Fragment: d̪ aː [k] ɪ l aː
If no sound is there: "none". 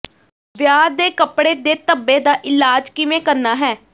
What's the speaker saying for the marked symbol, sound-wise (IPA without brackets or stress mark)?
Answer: ʔ